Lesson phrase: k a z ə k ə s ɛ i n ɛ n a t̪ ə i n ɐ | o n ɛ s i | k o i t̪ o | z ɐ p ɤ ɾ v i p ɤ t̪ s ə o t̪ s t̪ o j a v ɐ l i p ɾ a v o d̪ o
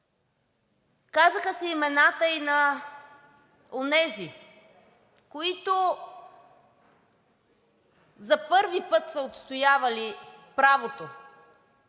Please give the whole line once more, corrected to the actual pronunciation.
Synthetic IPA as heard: k a z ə x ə s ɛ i m ɛ n a t̪ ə i n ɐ | o n ɛ z i | k o i t̪ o | z ɐ p ɤ ɾ v i p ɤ t̪ s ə o t̪ s t̪ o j a v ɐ l i p ɾ a v o t̪ o